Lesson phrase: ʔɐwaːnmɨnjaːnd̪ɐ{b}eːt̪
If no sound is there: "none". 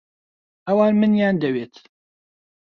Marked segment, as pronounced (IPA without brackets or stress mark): w